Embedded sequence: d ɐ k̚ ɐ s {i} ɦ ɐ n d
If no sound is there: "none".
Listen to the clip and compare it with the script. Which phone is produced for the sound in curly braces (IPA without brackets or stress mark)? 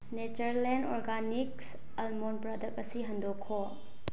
i